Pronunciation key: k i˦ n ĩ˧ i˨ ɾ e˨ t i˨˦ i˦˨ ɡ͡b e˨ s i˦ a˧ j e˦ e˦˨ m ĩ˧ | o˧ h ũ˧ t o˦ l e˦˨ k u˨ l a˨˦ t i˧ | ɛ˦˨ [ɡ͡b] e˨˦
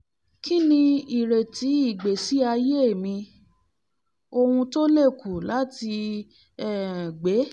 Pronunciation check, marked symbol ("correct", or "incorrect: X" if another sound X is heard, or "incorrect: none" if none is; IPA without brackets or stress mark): correct